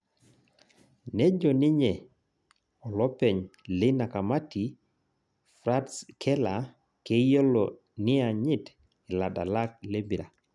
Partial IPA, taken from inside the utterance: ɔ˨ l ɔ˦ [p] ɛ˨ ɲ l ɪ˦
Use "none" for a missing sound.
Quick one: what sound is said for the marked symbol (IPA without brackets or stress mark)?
p